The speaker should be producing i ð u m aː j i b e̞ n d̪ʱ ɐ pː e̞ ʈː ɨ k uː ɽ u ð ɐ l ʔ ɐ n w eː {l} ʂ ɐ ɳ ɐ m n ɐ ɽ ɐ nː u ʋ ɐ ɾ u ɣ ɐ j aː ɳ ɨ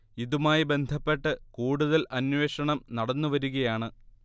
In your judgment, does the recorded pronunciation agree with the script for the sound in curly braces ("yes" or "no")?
no